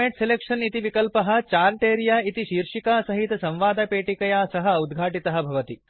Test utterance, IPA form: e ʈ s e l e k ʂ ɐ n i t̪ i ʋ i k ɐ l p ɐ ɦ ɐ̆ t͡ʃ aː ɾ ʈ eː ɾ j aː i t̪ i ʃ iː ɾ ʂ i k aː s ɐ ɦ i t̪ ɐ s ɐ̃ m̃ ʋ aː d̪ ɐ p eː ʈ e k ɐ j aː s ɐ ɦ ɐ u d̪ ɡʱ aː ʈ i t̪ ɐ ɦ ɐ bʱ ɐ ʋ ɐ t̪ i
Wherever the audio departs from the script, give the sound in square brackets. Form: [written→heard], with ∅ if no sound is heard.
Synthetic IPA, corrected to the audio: e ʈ s e l e k ʂ ɐ n i t̪ i ʋ i k ɐ l p ɐ ɦ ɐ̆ t͡ʃ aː ɾ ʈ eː ɾ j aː i t̪ i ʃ iː ɾ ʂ i k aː s ɐ ɦ i t̪ ɐ s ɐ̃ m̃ ʋ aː d̪ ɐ p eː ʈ [e→i] k ɐ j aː s ɐ ɦ ɐ u d̪ ɡʱ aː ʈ i t̪ ɐ ɦ ɐ bʱ ɐ ʋ ɐ t̪ i

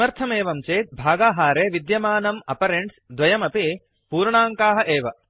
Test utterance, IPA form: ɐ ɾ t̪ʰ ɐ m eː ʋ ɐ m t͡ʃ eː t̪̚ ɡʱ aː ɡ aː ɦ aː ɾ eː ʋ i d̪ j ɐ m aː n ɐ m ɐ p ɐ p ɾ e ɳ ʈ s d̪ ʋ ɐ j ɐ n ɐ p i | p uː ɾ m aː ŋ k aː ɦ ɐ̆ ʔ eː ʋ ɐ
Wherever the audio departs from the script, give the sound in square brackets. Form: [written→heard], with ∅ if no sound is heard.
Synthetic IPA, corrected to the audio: ɐ ɾ t̪ʰ ɐ m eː ʋ ɐ m t͡ʃ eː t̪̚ [ɡʱ→bʱ] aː ɡ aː ɦ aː ɾ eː ʋ i d̪ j ɐ m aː n ɐ m ɐ p ɐ [p→∅] ɾ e ɳ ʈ s d̪ ʋ ɐ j ɐ [n→m] ɐ p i | p uː ɾ [m→ɳ] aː ŋ k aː ɦ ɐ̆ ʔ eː ʋ ɐ

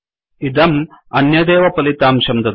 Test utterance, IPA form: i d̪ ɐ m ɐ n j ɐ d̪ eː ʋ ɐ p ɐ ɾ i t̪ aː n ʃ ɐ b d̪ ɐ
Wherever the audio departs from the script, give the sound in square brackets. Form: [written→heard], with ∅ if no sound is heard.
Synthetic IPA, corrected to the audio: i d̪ ɐ m ɐ n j ɐ d̪ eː ʋ ɐ p ɐ [ɾ→l] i t̪ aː [n→m] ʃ ɐ [b→m] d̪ ɐ

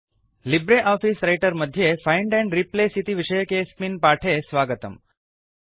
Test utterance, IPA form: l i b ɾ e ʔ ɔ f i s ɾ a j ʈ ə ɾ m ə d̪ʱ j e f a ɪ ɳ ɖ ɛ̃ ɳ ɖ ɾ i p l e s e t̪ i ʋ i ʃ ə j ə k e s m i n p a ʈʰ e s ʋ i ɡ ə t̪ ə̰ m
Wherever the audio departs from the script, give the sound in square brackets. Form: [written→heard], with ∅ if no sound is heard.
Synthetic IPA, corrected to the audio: l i b ɾ e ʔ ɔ f i s ɾ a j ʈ ə ɾ m ə d̪ʱ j e f a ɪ ɳ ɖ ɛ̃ ɳ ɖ ɾ i p l e s [e→i] t̪ i ʋ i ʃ ə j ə k e s m i n p a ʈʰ e s ʋ [i→a] ɡ ə t̪ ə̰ m

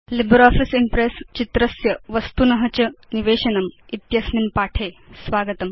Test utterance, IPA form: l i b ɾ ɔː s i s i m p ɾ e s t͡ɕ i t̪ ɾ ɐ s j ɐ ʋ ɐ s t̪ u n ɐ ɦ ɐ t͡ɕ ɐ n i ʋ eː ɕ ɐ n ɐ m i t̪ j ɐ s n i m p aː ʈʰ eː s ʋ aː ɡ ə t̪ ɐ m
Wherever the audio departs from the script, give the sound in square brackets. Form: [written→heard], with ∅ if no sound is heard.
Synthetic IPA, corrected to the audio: l i b ɾ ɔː [s→f] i s i m p ɾ e s t͡ɕ i t̪ ɾ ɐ s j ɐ ʋ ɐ s t̪ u n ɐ ɦ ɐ t͡ɕ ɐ n i ʋ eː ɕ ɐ n ɐ m i t̪ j ɐ s n i m p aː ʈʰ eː s ʋ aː ɡ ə t̪ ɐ m

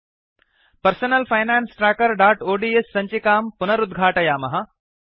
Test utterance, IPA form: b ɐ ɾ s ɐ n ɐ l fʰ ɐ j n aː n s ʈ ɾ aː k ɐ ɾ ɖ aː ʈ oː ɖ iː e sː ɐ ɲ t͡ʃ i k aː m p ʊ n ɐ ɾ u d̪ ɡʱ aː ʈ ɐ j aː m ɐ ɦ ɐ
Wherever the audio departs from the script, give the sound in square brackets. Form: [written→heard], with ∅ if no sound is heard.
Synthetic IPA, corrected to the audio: [b→p] ɐ ɾ s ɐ n ɐ l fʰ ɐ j n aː n s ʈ ɾ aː k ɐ ɾ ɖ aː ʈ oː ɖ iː e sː ɐ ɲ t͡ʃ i k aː m p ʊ n ɐ ɾ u d̪ ɡʱ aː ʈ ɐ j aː m ɐ ɦ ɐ

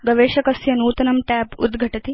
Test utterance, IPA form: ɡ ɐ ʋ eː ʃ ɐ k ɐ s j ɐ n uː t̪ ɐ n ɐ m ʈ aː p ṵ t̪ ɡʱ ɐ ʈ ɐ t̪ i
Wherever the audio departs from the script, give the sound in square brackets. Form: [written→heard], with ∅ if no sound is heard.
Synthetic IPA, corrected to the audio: ɡ ɐ ʋ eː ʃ ɐ k ɐ s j ɐ n uː t̪ ɐ n ɐ m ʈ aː p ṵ [t̪→d̪] ɡʱ ɐ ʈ ɐ t̪ i

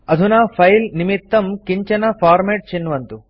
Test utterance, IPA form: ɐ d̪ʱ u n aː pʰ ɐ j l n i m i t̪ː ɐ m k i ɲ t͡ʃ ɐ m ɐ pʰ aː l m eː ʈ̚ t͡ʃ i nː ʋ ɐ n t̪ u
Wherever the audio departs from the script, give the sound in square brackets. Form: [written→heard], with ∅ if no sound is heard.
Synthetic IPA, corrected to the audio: ɐ d̪ʱ u n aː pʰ ɐ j l n i m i t̪ː ɐ m k i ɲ t͡ʃ ɐ [m→n] ɐ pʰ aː [l→ɾ] m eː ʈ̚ t͡ʃ i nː ʋ ɐ n t̪ u

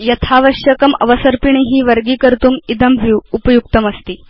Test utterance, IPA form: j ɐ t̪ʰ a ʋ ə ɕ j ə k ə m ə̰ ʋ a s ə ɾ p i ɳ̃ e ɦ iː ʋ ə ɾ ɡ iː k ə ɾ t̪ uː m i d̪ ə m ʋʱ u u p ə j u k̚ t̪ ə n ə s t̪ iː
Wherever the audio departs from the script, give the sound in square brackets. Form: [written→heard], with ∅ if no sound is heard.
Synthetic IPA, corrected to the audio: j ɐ t̪ʰ a ʋ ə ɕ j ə k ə m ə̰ ʋ [a→ə] s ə ɾ p i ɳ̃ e ɦ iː ʋ ə ɾ ɡ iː k ə ɾ t̪ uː m i d̪ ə m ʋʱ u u p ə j u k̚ t̪ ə [n→m] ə s t̪ iː

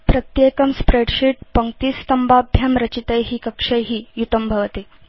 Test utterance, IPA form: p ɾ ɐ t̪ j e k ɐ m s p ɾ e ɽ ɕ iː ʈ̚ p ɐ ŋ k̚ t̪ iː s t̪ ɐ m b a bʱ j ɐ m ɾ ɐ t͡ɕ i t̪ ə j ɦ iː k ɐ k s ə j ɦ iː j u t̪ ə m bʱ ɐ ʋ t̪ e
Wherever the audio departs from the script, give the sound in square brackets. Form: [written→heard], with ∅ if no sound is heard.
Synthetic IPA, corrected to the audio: p ɾ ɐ t̪ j e k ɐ m s p ɾ e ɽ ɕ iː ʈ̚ p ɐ ŋ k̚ t̪ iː s t̪ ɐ m b a bʱ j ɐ m ɾ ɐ t͡ɕ i t̪ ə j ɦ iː k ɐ k [s→ʂ] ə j ɦ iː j u t̪ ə m bʱ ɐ ʋ t̪ e

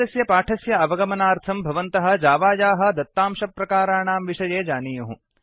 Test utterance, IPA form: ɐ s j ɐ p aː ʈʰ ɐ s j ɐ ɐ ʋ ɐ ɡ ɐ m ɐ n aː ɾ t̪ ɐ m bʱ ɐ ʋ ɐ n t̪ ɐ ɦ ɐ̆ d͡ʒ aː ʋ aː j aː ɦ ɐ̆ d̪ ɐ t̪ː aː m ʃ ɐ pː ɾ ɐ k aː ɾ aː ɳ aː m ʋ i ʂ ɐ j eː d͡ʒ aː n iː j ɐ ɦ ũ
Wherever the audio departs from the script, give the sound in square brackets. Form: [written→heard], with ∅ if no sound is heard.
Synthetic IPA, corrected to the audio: ɐ s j ɐ p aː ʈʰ ɐ s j ɐ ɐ ʋ ɐ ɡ ɐ m ɐ n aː ɾ [t̪→t̪ʰ] ɐ m bʱ ɐ ʋ ɐ n t̪ ɐ ɦ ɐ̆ d͡ʒ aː ʋ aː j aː ɦ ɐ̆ d̪ ɐ t̪ː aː m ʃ ɐ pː ɾ ɐ k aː ɾ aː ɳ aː m ʋ i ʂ ɐ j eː d͡ʒ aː n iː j ɐ ɦ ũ

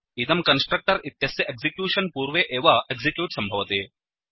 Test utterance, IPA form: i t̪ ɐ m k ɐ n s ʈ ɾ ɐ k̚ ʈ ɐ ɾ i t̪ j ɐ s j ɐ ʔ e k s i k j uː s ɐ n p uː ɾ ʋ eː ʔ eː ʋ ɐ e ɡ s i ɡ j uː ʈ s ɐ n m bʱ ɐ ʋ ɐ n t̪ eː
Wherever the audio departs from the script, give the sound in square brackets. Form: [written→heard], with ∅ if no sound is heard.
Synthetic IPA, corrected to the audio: i t̪ ɐ m k ɐ n s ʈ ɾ ɐ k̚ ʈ ɐ ɾ i t̪ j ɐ s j ɐ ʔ e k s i k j uː [s→ʂ] ɐ n p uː ɾ ʋ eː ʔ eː ʋ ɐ e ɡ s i [ɡ→k] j uː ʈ s ɐ [n→∅] m bʱ ɐ ʋ ɐ [n→∅] t̪ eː

